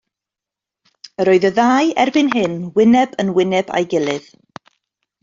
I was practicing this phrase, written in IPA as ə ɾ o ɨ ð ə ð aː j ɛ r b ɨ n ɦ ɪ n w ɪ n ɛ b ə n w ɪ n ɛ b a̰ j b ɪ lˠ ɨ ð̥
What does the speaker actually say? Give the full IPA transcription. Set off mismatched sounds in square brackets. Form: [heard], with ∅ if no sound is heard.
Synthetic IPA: ə ɾ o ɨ ð ə ð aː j ɛ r b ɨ n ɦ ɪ n w ɪ n ɛ b ə n w ɪ n ɛ b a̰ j [ɡ] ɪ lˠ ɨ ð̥